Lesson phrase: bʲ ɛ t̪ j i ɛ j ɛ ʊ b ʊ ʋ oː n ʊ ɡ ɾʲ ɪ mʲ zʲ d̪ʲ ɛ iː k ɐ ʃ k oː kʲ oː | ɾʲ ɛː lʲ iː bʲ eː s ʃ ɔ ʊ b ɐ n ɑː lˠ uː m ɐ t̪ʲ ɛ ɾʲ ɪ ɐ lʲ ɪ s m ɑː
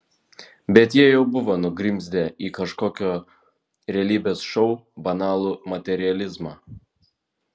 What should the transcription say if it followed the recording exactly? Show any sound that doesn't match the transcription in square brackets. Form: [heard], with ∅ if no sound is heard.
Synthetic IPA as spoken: bʲ ɛ t̪ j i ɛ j ɛ ʊ b ʊ ʋ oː n ʊ ɡ ɾʲ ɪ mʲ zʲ d̪ʲ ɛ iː k ɐ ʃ k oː kʲ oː | ɾʲ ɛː lʲ iː bʲ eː s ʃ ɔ ʊ b ɐ n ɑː lˠ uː m ɐ t̪ʲ ɛ ɾʲ ɪ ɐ lʲ ɪ [z] m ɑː